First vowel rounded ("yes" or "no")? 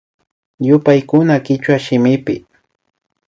yes